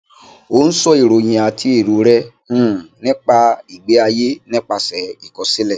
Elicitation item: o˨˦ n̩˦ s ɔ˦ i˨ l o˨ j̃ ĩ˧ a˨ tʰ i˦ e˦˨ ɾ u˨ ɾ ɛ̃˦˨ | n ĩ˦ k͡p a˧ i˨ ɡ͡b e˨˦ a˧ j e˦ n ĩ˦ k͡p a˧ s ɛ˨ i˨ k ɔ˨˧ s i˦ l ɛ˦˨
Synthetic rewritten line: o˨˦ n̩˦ s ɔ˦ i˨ ɾ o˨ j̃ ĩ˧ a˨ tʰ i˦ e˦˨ ɾ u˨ ɾ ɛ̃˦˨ | n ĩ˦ k͡p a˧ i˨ ɡ͡b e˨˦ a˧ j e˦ n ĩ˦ k͡p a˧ s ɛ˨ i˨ k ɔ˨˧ s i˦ l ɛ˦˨